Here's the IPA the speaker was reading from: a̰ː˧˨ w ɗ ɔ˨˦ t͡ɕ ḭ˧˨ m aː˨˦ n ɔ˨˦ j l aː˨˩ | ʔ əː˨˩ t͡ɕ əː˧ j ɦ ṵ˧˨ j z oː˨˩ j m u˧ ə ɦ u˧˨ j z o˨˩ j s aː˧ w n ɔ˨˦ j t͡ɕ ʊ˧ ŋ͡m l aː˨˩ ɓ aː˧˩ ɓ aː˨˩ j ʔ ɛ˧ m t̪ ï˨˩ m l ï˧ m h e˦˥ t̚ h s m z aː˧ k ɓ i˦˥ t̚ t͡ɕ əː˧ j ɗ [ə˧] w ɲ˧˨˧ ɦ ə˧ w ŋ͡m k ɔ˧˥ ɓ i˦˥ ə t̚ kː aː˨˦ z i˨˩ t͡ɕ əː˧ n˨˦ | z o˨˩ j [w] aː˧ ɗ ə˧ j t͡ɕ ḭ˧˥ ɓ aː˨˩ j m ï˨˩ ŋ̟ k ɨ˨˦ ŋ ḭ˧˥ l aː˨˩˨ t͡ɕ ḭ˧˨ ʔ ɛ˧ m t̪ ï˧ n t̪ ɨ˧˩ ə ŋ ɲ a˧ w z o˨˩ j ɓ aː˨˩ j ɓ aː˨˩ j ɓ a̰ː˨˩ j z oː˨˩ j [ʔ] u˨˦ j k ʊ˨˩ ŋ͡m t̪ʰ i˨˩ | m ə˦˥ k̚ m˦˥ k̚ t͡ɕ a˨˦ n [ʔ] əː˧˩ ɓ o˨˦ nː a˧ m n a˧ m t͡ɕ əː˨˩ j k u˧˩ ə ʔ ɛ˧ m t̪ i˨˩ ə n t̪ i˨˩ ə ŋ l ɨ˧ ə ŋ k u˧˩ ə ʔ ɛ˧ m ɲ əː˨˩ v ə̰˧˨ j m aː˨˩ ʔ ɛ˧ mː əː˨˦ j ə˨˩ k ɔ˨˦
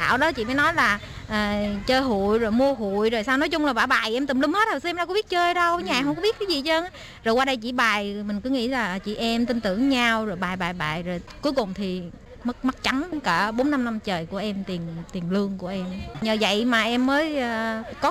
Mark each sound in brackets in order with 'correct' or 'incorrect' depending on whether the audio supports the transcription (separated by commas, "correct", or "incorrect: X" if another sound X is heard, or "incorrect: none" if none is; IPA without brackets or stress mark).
correct, correct, incorrect: k, incorrect: k